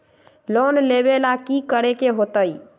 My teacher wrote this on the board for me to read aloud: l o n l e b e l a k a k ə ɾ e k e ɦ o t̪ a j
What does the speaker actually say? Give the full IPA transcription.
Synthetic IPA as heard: l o n l e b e l a k i k ə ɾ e k e ɦ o t̪ ə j